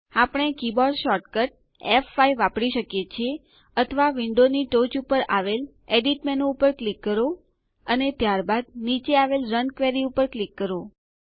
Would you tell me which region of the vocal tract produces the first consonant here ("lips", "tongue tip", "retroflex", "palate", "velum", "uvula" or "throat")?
lips